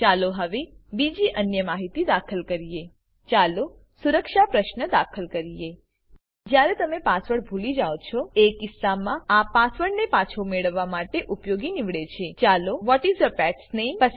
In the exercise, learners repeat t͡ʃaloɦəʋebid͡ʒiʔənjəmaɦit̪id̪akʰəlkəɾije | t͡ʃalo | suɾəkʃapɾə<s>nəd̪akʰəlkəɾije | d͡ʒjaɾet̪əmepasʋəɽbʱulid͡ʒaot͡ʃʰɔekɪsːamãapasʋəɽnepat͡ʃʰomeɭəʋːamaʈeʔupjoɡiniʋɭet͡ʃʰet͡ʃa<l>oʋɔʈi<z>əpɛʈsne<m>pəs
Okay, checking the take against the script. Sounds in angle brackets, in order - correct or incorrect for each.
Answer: incorrect: ʃ, correct, correct, correct

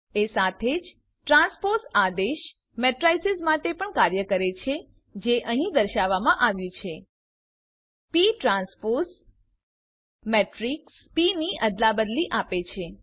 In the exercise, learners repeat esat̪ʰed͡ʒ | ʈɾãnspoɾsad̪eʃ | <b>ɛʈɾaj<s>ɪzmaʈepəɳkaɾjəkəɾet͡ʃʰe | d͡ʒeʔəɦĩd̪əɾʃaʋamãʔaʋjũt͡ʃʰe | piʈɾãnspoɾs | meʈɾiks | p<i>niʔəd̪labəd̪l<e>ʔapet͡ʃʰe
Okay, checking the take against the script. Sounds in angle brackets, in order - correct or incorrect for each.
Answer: incorrect: m, correct, correct, incorrect: i

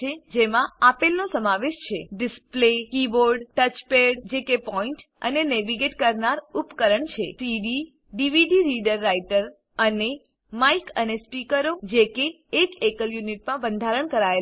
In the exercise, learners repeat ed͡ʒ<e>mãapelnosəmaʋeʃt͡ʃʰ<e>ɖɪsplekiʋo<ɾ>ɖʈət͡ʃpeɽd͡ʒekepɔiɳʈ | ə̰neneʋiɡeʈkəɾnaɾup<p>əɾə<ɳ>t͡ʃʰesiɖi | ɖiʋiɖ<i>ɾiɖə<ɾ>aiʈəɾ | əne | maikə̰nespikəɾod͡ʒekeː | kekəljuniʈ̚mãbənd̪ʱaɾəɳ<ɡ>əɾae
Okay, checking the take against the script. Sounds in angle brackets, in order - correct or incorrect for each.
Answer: correct, correct, correct, incorrect: k, correct, correct, incorrect: ɾː, incorrect: k

